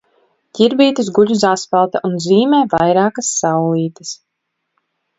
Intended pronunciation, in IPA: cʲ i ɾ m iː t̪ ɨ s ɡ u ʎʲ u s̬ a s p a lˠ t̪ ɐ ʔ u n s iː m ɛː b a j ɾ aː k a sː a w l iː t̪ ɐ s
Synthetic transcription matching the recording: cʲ i ɾ b iː t̪ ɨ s ɡ u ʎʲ u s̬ a s p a lˠ t̪ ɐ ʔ u n z iː m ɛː v a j ɾ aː k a sː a w l iː t̪ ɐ s